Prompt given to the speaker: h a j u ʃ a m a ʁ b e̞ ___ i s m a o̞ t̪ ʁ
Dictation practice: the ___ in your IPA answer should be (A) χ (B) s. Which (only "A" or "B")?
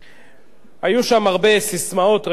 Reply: B